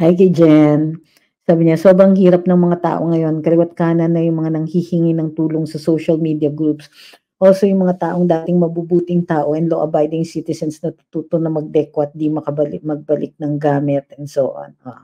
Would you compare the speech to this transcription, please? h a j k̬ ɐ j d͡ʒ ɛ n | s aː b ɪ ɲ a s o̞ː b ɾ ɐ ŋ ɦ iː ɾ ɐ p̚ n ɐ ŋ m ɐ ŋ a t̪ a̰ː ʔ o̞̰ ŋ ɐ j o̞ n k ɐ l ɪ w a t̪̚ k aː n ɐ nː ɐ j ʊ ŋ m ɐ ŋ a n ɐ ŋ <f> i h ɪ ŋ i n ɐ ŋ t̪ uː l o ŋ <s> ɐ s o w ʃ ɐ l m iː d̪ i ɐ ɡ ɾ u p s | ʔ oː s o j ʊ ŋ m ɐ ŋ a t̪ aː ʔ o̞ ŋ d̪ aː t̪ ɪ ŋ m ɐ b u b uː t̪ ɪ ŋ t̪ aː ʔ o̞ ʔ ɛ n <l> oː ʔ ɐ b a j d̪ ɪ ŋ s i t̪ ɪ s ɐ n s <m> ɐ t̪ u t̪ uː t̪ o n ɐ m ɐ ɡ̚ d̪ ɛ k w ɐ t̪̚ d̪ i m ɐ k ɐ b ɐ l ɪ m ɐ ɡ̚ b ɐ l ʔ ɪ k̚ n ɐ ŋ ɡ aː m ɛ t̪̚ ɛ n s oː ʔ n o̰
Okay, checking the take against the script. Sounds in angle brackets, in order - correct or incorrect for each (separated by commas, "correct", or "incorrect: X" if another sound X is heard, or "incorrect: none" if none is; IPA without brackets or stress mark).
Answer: incorrect: h, correct, correct, incorrect: n